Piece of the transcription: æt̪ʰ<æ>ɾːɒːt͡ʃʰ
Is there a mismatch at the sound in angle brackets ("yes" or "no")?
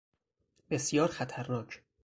no